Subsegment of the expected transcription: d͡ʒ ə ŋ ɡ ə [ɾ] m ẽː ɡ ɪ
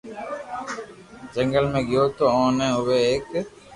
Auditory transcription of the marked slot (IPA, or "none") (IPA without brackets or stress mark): l